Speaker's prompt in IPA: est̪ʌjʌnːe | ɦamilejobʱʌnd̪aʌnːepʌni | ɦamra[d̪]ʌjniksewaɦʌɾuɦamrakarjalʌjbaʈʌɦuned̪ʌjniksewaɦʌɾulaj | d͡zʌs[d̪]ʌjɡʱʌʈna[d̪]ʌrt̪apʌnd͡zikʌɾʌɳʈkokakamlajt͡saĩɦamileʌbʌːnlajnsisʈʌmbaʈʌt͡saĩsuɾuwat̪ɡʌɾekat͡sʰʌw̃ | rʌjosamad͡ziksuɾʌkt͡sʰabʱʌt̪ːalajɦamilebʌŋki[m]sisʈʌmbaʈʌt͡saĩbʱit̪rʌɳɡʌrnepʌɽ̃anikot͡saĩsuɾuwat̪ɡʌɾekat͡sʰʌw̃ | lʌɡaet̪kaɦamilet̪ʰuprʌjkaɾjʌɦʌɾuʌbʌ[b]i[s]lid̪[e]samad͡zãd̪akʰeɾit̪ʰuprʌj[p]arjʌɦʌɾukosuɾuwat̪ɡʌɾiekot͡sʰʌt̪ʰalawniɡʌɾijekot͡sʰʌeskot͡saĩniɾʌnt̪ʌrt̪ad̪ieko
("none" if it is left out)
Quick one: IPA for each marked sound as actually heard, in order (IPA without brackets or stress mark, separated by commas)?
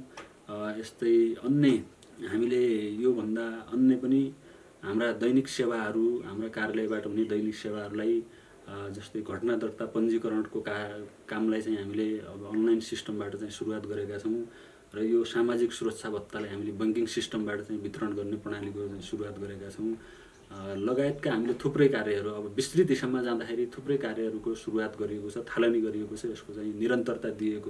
d̪, t̪, d̪, ŋ, b, s, i, k